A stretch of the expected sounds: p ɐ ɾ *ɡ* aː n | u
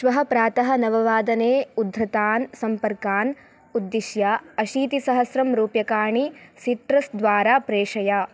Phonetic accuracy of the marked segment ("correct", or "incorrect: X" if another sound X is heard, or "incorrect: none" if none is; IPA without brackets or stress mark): incorrect: k